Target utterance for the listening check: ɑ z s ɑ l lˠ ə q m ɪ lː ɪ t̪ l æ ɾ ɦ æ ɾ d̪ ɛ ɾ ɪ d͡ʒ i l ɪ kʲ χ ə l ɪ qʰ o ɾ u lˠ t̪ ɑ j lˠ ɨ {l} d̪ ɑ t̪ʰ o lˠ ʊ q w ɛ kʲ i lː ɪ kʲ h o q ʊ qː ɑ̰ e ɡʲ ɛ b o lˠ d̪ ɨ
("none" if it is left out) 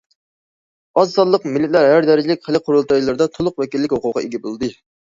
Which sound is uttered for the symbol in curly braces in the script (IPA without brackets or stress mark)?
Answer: ɾ